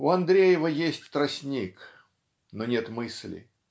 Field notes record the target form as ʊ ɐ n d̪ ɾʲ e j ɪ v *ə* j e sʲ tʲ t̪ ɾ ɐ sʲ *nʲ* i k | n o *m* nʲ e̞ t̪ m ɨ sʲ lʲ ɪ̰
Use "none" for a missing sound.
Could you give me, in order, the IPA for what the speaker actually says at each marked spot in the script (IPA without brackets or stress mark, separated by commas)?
ə, nʲ, none